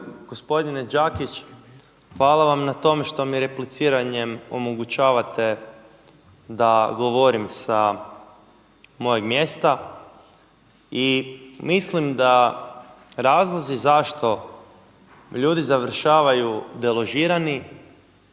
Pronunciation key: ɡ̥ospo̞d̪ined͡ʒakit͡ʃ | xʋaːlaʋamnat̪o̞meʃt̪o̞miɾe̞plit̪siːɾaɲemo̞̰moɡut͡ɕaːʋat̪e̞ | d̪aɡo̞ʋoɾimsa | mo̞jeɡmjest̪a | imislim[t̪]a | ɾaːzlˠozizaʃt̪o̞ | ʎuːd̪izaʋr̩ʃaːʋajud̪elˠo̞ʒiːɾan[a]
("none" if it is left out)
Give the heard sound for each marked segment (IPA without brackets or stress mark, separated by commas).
d̪, i